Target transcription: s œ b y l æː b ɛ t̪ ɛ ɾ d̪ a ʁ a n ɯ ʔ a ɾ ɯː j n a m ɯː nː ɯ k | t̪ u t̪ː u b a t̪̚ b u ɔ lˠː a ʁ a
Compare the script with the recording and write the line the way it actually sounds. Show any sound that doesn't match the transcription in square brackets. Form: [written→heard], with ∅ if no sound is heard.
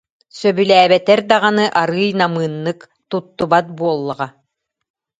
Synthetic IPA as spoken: s œ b y l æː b ɛ t̪ ɛ ɾ d̪ a ʁ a n ɯ ʔ a ɾ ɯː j n a m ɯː nː ɯ k | t̪ u t̪ː u b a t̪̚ b u ɔ lˠː a ʁ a